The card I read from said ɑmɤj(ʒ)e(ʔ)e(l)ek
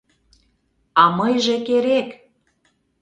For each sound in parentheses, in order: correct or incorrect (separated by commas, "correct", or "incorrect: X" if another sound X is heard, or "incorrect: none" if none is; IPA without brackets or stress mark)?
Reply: correct, incorrect: k, incorrect: ɾ